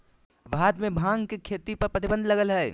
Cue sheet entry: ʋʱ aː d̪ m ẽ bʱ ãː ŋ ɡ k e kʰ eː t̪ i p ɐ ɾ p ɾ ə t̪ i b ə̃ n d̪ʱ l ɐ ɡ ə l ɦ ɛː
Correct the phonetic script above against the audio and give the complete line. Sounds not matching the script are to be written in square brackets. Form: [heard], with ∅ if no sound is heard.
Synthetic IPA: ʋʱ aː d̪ m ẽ bʱ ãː ŋ ɡ k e kʰ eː t̪ i p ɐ ɾ p ɾ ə t̪ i b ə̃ n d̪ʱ l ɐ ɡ ə l ɦ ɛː